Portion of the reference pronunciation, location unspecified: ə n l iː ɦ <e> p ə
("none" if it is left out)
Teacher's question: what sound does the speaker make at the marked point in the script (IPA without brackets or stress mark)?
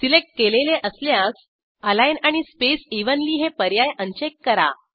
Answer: e